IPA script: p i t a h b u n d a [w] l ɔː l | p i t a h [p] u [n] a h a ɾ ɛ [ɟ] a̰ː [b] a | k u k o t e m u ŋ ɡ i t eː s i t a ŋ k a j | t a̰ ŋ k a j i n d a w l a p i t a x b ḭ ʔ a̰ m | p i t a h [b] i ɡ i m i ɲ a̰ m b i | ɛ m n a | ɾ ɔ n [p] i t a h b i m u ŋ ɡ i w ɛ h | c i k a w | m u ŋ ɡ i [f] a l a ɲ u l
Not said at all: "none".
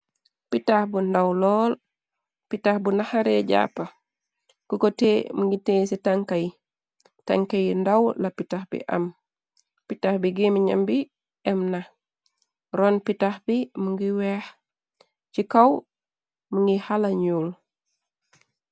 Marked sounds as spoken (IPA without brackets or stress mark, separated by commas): w, b, n, ɟ, p, b, p, h